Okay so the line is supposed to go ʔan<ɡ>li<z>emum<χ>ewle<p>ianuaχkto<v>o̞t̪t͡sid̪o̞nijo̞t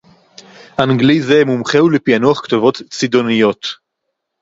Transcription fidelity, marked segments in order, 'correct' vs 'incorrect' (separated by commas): correct, correct, correct, correct, correct